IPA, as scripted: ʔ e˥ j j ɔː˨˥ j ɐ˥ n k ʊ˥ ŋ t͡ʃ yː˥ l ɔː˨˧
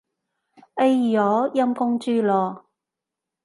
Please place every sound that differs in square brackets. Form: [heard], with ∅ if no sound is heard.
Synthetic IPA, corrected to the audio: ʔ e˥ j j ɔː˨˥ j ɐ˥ [m] k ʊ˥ ŋ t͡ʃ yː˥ l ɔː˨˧